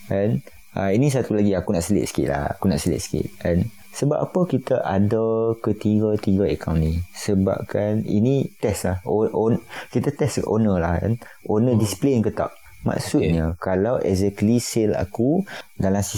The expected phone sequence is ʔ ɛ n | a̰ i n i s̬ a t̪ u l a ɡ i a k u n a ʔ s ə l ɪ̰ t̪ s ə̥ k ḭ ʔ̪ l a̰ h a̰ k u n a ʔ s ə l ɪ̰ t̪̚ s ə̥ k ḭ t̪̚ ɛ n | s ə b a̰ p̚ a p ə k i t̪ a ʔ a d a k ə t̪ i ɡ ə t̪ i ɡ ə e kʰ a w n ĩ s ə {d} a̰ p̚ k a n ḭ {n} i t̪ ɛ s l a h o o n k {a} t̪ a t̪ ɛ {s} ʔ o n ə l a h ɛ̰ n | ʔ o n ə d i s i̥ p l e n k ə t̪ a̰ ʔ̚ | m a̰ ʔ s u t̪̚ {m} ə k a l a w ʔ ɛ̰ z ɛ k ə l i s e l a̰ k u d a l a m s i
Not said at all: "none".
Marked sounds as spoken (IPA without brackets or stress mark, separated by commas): b, n, i, s, ɲ